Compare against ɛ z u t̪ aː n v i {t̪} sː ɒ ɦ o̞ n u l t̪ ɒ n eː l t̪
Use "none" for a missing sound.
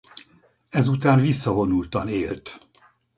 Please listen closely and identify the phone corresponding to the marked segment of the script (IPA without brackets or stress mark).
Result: none